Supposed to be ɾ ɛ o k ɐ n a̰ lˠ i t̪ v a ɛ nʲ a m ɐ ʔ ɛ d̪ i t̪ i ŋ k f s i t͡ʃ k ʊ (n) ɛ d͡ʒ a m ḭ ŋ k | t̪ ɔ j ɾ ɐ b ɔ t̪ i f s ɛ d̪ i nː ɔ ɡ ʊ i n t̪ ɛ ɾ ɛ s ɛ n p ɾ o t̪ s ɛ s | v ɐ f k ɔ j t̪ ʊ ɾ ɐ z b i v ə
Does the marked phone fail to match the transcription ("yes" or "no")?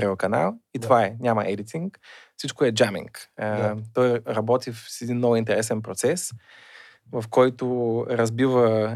yes